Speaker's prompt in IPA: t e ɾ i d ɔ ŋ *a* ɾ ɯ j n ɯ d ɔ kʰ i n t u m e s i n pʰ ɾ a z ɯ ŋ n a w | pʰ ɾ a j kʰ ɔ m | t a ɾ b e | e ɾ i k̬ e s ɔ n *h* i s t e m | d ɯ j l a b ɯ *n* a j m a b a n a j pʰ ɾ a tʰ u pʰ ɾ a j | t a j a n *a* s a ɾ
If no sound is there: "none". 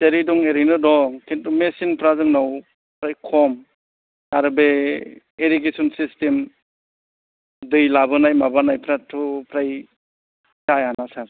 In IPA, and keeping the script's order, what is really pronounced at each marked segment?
e, s, n, a

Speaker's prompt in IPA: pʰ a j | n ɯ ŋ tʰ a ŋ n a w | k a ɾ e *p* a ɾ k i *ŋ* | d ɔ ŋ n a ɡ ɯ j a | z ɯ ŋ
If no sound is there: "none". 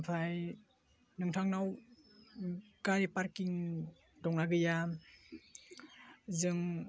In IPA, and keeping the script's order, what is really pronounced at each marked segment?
p, ŋ

